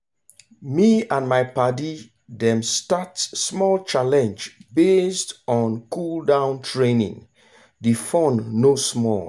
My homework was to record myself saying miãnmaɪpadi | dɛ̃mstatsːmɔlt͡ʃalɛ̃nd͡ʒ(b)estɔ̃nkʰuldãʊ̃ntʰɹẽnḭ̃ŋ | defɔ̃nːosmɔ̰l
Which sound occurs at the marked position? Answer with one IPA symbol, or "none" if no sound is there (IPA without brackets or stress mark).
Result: b